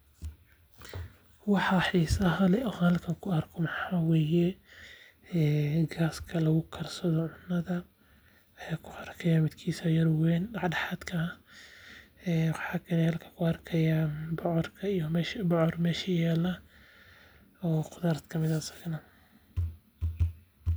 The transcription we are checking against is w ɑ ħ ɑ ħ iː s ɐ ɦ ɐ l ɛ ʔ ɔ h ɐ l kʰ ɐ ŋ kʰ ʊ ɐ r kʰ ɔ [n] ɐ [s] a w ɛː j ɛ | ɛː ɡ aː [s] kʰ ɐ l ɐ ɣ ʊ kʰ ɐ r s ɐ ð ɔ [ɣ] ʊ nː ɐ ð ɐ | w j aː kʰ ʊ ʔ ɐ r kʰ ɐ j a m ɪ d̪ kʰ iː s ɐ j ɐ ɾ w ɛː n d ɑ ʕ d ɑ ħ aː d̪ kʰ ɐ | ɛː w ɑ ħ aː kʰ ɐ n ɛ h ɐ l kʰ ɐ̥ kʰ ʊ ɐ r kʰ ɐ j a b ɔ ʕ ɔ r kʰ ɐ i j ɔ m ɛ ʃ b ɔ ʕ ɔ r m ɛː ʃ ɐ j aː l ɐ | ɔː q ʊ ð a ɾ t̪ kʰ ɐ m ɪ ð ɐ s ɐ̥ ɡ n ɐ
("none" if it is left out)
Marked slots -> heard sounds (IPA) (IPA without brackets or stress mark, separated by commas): m, ħ, s, ʕ